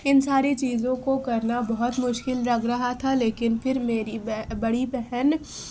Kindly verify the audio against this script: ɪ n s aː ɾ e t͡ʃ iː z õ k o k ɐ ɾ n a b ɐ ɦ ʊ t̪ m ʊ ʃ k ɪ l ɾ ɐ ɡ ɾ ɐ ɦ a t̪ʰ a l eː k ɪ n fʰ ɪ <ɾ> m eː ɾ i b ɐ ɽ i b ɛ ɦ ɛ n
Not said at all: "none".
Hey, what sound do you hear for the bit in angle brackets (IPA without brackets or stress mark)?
ɾ